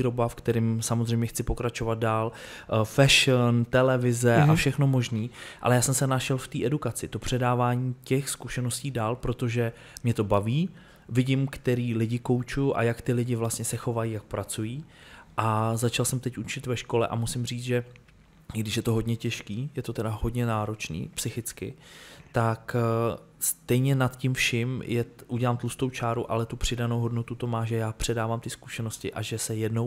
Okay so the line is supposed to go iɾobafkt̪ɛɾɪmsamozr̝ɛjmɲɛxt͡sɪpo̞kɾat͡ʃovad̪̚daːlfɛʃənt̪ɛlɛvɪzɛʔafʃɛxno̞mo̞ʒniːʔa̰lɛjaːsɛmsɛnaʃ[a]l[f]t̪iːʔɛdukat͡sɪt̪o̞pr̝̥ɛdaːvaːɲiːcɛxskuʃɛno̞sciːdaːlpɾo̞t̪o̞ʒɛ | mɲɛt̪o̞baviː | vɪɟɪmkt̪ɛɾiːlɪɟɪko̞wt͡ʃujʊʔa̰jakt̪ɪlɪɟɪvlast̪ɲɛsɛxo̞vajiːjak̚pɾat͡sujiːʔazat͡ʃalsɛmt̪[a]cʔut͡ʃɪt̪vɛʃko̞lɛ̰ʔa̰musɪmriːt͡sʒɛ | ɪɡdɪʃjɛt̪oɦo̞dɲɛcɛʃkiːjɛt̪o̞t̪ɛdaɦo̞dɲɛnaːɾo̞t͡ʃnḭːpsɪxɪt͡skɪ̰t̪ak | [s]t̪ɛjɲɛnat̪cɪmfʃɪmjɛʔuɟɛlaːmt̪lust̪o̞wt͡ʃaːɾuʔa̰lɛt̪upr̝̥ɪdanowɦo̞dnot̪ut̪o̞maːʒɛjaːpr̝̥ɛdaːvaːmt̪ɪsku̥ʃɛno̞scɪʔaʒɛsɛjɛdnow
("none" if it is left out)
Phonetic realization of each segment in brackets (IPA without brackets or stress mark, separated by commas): ɛ, f, ɛ, s